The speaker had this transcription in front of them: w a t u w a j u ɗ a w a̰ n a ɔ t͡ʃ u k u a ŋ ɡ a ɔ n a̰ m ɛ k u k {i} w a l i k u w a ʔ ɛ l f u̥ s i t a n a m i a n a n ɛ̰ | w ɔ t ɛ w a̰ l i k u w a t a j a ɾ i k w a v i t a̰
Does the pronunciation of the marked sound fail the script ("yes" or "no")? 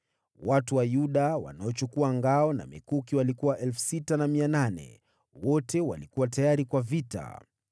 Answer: no